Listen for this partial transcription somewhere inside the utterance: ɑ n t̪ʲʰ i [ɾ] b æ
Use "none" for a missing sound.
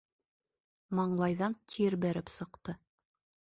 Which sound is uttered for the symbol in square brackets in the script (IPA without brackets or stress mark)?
ɾ